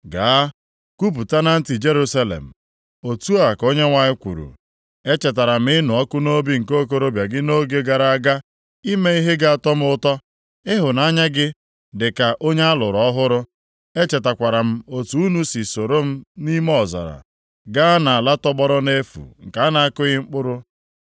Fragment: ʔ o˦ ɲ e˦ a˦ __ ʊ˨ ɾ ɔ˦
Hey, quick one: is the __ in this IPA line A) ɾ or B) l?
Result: B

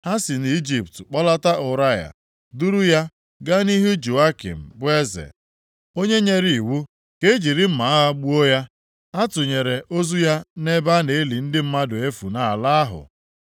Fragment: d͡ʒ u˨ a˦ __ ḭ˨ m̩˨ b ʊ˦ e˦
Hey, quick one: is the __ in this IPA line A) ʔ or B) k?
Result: B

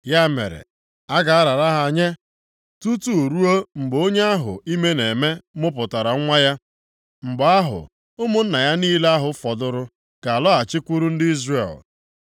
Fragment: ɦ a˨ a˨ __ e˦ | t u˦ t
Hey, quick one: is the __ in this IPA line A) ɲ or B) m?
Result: A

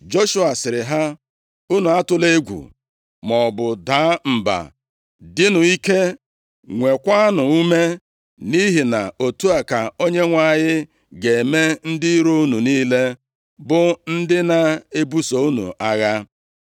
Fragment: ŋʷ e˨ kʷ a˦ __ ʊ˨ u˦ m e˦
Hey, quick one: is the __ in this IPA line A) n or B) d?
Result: A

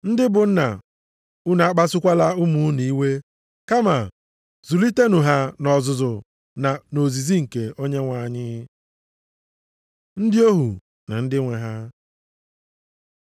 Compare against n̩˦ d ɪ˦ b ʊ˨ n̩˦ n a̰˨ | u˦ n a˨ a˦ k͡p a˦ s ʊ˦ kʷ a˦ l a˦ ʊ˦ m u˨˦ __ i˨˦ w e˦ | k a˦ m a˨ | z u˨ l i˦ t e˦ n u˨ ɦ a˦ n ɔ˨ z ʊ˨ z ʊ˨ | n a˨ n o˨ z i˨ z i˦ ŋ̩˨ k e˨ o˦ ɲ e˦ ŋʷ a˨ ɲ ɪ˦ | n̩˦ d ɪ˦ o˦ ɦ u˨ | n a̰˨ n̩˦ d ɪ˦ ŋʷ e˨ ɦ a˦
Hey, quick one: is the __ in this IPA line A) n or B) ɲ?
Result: A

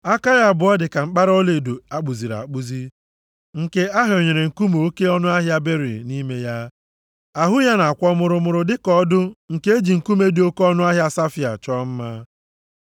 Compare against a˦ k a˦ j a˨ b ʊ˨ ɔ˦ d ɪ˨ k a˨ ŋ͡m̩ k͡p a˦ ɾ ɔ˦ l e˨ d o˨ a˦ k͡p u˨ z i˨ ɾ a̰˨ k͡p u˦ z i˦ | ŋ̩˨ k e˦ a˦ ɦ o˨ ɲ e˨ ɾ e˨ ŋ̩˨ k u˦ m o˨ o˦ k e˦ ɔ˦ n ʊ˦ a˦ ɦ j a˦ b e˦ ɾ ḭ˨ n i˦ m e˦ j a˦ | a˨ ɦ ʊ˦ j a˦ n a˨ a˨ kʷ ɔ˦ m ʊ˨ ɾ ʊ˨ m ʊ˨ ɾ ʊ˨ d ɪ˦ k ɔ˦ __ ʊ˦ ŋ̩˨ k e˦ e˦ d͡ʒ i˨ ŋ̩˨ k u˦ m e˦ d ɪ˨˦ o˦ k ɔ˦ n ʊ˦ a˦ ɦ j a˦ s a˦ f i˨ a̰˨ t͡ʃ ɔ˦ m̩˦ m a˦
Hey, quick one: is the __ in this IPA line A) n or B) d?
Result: B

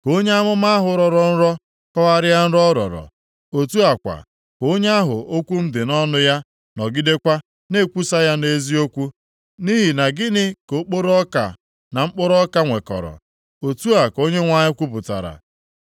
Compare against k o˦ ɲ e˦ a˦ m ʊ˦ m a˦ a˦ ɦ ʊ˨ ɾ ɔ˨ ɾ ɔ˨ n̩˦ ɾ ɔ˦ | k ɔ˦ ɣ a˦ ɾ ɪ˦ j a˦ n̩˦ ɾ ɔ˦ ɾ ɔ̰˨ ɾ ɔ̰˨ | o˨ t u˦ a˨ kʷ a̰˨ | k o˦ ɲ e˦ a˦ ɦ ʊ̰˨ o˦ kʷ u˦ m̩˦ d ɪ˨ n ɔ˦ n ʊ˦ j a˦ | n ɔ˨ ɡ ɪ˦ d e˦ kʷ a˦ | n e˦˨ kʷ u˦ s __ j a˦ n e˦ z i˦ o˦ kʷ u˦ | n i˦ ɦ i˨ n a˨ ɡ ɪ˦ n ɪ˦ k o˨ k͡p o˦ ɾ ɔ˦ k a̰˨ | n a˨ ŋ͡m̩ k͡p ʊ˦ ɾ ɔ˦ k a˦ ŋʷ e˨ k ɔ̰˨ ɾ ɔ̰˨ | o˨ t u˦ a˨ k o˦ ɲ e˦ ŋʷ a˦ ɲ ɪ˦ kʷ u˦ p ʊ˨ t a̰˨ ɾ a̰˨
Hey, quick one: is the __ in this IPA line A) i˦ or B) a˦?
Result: B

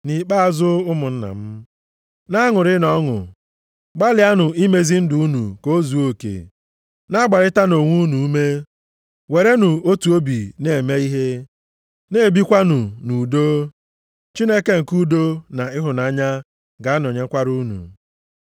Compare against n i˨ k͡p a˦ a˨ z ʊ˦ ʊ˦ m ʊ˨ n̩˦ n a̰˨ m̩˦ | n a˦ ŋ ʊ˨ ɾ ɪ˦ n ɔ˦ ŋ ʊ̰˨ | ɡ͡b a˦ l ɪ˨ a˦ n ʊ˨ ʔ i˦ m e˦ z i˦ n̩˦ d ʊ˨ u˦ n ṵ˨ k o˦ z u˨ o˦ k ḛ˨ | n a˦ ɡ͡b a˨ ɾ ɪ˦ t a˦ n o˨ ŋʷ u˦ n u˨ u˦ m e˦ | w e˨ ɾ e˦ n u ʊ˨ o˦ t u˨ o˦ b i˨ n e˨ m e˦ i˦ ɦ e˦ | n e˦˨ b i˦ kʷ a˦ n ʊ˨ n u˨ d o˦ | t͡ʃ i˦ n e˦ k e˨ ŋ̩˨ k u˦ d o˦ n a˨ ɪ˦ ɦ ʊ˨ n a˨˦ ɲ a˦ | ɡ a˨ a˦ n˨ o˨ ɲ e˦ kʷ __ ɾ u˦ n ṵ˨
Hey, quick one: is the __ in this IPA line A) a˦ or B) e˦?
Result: A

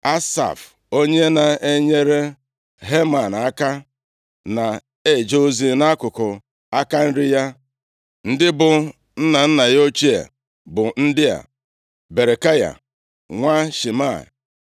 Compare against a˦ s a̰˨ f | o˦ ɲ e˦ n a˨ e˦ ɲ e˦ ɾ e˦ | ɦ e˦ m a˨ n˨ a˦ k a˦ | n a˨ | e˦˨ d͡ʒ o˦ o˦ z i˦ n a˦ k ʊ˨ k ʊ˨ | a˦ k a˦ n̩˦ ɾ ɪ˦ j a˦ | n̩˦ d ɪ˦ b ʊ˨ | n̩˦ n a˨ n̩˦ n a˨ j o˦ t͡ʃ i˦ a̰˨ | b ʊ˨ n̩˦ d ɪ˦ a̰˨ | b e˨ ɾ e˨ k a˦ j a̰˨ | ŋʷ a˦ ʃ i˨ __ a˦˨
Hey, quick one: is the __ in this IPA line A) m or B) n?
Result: A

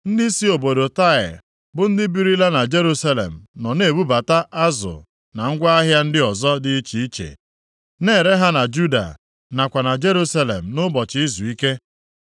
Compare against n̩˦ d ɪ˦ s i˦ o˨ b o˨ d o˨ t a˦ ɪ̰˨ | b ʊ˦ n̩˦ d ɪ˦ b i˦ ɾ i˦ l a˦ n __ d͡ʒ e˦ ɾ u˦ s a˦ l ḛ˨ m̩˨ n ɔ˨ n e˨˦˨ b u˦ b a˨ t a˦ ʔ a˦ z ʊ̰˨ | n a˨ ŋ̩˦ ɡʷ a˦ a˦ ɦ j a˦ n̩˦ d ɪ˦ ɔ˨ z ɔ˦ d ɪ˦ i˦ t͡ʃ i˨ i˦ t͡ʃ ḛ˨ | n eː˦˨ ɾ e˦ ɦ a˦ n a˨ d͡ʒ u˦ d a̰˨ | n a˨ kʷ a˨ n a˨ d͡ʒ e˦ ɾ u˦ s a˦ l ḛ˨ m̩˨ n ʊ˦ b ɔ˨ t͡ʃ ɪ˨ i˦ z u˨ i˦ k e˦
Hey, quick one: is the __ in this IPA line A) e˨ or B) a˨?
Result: B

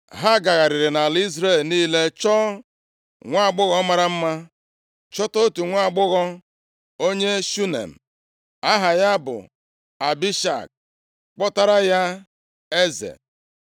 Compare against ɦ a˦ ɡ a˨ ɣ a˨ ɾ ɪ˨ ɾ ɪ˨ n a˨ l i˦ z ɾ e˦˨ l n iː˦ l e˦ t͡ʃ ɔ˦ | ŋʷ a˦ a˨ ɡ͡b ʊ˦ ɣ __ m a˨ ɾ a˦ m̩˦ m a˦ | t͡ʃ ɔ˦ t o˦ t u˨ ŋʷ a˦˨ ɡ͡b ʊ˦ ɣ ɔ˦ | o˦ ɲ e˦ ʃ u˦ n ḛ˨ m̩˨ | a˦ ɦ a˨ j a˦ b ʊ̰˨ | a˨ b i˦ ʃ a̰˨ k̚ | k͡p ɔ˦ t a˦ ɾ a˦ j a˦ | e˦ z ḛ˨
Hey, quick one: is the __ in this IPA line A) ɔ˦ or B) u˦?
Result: A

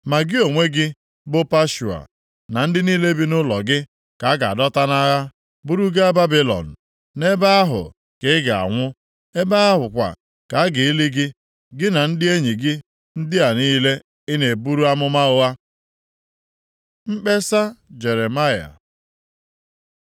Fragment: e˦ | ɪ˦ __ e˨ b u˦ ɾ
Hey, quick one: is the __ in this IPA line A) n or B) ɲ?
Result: A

